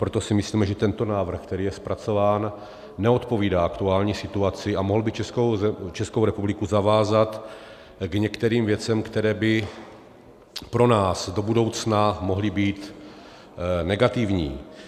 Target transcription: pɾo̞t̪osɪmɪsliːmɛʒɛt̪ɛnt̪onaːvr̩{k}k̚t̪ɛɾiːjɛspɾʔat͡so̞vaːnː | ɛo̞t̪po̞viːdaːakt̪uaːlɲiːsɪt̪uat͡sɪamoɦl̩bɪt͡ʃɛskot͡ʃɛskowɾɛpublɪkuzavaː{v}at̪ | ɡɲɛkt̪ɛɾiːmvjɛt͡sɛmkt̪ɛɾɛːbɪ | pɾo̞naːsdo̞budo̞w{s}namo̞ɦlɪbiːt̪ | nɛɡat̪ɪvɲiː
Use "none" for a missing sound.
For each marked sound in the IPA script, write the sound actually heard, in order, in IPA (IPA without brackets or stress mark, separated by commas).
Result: x, z, t͡s